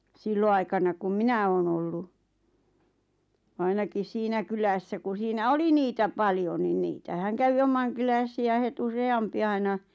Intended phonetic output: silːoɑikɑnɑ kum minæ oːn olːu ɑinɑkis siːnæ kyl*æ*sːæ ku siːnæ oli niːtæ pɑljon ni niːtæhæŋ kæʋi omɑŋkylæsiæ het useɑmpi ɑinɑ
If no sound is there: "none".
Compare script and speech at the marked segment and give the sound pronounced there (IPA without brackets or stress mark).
æ